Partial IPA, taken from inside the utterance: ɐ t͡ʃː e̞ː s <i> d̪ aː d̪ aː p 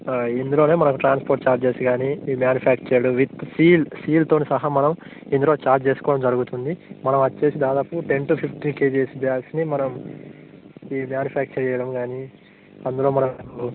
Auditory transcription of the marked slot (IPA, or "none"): i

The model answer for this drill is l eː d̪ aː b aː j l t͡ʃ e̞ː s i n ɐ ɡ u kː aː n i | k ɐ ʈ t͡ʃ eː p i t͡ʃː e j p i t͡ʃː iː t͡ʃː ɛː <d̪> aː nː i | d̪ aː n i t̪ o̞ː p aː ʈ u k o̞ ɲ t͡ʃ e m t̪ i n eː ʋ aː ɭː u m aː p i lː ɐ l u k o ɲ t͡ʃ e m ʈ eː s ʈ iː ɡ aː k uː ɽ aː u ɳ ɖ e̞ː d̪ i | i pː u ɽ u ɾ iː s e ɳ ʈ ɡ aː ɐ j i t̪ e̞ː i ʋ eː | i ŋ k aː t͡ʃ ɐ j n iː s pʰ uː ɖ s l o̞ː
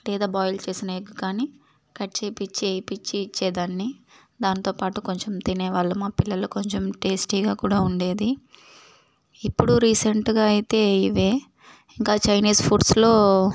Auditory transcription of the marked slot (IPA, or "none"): d̪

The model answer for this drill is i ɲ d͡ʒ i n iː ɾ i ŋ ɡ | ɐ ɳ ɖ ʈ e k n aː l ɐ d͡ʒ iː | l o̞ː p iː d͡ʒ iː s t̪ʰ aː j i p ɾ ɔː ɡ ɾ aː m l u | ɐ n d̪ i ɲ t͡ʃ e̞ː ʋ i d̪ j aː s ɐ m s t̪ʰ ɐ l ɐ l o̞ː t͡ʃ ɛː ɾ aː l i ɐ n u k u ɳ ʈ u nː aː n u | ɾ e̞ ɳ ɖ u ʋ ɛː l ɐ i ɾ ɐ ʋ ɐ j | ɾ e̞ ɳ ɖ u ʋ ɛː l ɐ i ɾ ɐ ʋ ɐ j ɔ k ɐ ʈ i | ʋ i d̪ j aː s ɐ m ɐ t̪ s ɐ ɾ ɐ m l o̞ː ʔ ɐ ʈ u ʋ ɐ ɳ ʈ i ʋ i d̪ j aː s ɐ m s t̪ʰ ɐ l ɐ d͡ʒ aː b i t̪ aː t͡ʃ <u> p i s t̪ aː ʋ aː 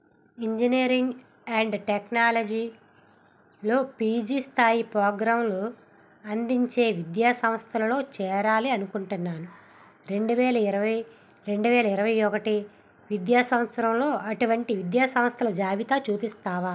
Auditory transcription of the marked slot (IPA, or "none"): uː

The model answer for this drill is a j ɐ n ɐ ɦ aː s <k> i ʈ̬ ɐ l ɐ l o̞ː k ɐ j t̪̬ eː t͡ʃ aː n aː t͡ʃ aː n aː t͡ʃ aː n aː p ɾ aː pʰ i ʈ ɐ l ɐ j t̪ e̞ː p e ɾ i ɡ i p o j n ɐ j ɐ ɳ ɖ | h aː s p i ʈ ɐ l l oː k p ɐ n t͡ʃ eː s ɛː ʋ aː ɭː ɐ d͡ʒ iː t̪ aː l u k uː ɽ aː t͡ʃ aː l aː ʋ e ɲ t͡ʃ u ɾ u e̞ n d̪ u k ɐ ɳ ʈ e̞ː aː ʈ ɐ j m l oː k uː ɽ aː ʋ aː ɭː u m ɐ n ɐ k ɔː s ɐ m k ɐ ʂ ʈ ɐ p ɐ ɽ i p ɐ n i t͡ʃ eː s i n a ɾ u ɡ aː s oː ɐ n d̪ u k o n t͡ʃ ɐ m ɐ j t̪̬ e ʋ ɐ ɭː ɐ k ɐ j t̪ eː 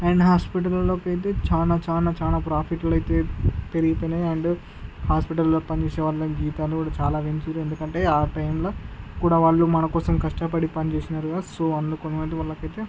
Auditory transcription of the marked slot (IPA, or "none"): p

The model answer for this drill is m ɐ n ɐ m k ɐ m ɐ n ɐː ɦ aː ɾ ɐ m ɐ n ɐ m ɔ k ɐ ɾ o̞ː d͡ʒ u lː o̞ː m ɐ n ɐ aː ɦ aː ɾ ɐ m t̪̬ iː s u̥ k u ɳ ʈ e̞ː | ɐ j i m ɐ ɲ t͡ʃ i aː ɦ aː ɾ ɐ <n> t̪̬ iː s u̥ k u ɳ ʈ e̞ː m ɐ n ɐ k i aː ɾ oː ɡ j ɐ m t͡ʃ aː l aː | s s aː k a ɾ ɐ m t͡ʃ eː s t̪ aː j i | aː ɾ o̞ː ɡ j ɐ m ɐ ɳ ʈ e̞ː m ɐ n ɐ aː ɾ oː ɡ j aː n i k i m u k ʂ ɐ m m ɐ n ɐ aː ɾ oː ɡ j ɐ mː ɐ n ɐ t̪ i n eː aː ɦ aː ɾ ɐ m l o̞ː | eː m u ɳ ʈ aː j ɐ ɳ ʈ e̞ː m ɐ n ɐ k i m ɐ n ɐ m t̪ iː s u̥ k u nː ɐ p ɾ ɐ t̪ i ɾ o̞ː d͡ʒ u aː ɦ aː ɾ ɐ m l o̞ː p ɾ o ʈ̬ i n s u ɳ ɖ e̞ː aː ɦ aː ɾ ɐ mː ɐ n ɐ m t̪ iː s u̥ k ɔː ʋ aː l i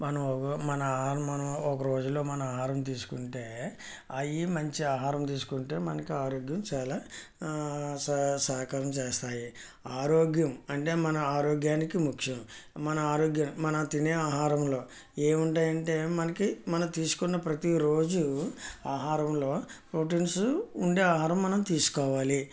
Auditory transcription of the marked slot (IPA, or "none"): m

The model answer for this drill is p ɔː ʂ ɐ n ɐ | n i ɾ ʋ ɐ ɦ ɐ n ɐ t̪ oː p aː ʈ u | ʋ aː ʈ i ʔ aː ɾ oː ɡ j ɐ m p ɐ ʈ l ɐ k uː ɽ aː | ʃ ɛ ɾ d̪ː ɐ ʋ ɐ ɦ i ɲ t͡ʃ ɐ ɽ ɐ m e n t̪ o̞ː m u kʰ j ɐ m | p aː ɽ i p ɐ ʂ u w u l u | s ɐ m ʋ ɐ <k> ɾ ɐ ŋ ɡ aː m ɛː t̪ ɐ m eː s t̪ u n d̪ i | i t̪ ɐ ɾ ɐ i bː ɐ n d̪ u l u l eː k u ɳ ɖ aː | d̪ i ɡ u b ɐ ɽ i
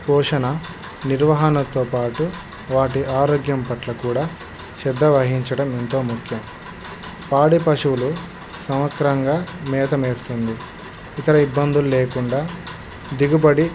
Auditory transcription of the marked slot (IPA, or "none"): k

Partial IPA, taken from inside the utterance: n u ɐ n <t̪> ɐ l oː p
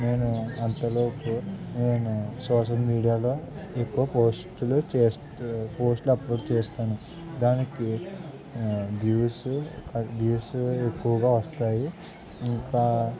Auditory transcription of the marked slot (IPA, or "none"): t̪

